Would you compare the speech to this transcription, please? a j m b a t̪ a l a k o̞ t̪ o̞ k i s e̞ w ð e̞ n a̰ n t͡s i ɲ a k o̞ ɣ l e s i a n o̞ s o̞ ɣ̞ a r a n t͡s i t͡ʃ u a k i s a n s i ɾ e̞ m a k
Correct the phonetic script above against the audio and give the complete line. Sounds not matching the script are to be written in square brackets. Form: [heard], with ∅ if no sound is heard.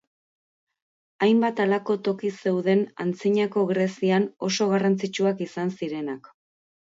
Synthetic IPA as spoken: a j m b a t̪ a l a k o̞ t̪ o̞ k i s e̞ w ð e̞ n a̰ n t͡s i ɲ a k o̞ ɣ [ɾ] e s i a n o̞ s o̞ ɣ̞ a r a n t͡s i t͡ʃ u a k i s a n s i ɾ e̞ [n] a k